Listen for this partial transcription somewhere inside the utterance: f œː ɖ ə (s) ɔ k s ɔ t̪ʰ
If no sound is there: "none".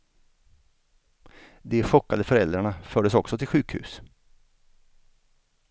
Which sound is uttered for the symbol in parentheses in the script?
s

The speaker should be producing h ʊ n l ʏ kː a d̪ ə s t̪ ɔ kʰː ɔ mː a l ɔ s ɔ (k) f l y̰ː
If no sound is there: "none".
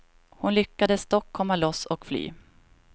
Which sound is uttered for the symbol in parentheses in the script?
k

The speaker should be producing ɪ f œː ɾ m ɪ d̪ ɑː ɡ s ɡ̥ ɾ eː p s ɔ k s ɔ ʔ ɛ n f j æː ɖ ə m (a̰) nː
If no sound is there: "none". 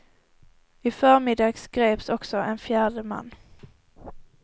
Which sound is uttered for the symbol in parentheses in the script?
a̰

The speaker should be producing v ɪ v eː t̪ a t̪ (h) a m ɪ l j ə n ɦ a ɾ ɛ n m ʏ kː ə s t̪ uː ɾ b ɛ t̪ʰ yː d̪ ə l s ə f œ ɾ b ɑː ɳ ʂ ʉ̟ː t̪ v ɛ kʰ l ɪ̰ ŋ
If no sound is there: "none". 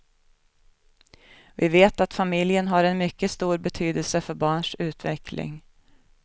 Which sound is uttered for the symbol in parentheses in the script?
f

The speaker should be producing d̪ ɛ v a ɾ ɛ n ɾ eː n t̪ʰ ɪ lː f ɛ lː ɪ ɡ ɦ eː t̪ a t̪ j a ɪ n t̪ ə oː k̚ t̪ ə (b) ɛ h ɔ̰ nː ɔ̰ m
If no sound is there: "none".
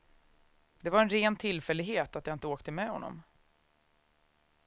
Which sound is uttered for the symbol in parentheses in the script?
m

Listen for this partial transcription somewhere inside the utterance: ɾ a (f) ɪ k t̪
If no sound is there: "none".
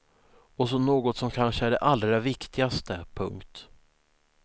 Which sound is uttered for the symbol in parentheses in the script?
v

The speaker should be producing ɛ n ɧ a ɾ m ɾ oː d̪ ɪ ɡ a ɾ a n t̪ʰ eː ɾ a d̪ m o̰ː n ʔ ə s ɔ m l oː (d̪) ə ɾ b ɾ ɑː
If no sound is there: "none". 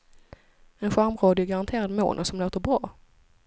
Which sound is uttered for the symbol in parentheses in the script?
t̪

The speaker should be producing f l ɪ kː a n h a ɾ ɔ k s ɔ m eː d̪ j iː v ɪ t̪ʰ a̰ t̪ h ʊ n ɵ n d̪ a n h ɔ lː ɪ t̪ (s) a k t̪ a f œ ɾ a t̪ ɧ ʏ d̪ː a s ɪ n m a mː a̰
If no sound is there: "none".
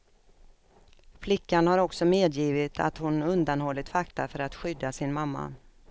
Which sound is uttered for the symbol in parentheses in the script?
f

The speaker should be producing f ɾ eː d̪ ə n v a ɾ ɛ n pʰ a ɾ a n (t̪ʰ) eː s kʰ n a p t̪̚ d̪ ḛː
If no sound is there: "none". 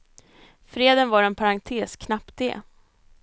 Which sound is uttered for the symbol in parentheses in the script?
t̪ʰ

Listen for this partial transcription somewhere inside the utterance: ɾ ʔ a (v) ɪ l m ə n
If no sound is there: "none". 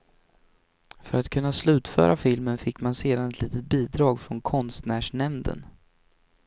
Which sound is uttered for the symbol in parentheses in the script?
f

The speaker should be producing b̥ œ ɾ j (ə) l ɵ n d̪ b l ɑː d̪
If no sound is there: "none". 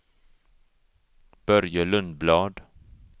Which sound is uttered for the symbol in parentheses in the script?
ə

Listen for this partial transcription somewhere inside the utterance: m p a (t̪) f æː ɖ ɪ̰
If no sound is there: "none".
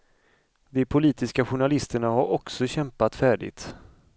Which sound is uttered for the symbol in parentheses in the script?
t̪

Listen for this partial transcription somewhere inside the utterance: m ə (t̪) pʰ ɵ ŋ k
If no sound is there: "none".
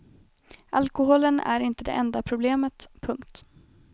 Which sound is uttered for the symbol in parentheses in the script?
t̪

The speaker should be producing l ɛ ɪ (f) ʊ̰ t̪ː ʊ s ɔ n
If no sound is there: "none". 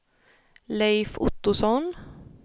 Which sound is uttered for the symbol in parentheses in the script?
f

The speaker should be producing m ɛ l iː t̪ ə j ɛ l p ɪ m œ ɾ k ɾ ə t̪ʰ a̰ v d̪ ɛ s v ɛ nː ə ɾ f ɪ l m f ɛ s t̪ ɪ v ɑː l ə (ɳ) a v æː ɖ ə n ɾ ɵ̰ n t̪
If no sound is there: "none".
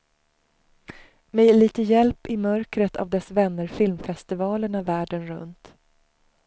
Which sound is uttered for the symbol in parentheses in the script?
ɳ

